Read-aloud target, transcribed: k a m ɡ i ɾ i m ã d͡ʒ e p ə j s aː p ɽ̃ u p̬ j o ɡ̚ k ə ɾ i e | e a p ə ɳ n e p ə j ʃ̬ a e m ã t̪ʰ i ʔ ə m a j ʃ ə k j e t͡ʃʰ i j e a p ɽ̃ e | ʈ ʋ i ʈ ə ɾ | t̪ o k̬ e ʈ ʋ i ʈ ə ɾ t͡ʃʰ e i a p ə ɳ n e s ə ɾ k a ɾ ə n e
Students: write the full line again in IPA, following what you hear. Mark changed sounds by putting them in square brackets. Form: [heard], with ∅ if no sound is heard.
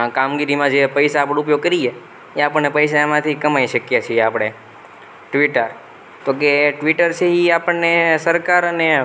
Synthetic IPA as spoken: k a m ɡ i ɾ i m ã d͡ʒ e p ə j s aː p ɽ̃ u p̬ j o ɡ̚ k ə ɾ i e | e a p ə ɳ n e p ə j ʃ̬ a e m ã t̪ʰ i [k] ə m a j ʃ ə k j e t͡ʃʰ i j e a p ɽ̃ e | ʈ ʋ i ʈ ə ɾ | t̪ o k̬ e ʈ ʋ i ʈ ə ɾ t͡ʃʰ e i a p ə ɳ n e s ə ɾ k a ɾ ə n e